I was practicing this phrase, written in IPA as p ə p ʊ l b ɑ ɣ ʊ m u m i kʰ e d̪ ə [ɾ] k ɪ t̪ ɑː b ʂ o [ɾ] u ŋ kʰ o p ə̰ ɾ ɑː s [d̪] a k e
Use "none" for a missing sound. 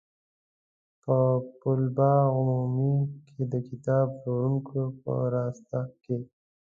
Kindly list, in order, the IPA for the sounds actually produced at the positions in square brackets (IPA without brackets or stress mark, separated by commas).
none, ɾ, t̪